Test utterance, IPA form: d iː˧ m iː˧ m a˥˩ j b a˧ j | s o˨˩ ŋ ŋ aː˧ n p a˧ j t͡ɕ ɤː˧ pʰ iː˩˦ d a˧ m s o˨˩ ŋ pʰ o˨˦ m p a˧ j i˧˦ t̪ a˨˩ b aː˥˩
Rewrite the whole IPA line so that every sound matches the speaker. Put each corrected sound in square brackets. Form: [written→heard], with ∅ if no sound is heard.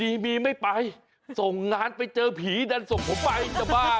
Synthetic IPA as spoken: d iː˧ m iː˧ m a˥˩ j [b→p] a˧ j | s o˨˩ ŋ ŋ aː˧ n p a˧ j t͡ɕ ɤː˧ pʰ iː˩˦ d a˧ [m→n] s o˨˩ ŋ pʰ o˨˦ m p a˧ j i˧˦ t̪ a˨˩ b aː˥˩